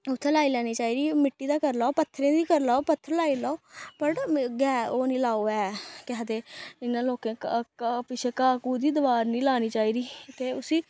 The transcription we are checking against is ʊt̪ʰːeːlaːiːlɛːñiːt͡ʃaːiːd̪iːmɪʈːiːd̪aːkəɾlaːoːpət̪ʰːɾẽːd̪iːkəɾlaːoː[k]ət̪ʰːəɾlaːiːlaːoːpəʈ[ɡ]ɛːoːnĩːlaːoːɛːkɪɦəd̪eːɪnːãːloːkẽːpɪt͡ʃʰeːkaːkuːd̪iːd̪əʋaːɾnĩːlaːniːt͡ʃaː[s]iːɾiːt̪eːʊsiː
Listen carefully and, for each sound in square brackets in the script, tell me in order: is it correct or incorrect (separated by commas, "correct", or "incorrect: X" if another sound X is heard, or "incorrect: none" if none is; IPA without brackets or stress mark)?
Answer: incorrect: p, correct, incorrect: none